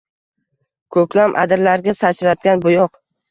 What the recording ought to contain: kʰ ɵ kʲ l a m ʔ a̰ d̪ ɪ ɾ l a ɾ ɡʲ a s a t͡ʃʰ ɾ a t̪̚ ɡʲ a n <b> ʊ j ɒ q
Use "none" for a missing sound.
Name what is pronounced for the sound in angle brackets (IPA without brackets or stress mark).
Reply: b